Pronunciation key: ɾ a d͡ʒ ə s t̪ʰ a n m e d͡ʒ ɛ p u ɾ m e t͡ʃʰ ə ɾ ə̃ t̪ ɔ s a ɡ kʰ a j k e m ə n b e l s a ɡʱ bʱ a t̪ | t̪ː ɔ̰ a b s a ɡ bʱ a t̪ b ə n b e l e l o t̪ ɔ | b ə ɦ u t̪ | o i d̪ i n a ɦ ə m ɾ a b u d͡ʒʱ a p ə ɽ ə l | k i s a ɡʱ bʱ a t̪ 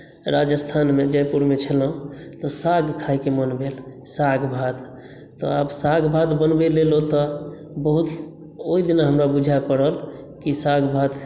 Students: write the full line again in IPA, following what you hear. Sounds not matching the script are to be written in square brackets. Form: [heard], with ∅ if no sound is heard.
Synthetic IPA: ɾ a d͡ʒ ə s t̪ʰ a n m e d͡ʒ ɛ p u ɾ m e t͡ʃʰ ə [l] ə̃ t̪ ɔ s a ɡ kʰ a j k e m ə n b e l s a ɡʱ bʱ a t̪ | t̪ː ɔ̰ a b s a ɡ bʱ a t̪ b ə n b e l e l o t̪ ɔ | b ə ɦ u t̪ | o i d̪ i n a ɦ ə m ɾ a b u d͡ʒʱ a p ə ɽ ə l | k i s a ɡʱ bʱ a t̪